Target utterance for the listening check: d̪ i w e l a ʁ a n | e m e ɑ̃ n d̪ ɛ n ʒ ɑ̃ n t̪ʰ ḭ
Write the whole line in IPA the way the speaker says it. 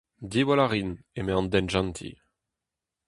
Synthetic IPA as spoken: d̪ i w a l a ʁ i n | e m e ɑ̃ n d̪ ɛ n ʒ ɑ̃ n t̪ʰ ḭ